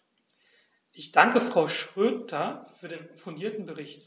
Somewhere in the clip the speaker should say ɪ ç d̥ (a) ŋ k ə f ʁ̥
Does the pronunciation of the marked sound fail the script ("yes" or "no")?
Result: no